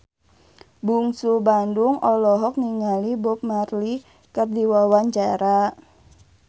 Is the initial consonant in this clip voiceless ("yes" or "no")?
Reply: no